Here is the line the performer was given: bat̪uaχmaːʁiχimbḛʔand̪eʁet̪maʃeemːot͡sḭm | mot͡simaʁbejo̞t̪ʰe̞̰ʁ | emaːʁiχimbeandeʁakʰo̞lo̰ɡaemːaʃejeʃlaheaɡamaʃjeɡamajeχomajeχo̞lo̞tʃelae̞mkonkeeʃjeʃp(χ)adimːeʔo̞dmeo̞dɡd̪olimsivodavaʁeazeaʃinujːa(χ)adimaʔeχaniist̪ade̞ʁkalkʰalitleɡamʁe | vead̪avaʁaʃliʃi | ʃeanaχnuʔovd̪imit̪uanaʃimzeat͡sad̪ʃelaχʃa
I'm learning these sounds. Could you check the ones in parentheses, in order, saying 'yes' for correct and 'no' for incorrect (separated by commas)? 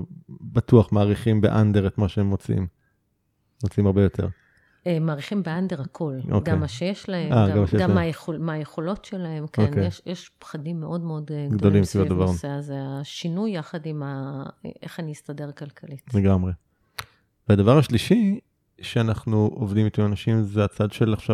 yes, yes